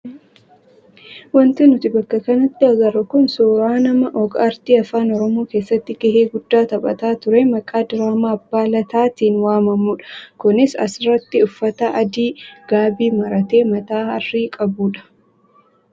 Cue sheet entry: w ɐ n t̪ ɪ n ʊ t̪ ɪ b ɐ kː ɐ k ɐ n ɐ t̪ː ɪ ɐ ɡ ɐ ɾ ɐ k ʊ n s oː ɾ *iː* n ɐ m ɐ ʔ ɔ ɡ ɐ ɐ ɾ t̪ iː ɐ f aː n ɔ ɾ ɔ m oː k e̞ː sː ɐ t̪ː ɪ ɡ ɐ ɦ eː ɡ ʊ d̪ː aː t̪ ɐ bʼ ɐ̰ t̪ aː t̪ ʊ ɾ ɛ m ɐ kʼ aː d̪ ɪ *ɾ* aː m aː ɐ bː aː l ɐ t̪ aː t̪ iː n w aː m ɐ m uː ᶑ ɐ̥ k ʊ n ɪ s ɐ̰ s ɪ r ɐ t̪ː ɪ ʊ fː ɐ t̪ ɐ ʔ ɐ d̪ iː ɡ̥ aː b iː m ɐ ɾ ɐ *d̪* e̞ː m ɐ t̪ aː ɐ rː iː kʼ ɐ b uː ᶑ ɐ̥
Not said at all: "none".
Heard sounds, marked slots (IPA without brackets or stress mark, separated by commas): aː, ɾ, t̪